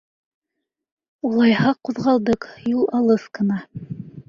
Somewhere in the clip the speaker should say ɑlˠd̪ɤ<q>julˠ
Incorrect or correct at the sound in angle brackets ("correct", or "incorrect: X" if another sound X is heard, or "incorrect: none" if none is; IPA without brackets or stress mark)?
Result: correct